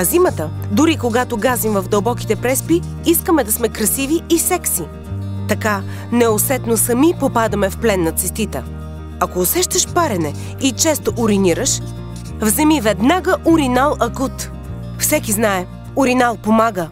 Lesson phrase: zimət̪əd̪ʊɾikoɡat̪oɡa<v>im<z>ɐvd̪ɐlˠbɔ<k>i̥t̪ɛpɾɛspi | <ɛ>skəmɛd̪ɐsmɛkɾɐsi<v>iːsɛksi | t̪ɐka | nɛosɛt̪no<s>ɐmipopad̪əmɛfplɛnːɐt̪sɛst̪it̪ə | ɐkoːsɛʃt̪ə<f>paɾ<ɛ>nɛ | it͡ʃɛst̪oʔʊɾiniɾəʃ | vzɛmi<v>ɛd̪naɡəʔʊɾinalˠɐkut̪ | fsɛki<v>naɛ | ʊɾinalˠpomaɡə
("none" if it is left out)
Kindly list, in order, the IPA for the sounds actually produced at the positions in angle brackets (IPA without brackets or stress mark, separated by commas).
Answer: z, v, k, i, v, s, ʃ, ɛ, v, z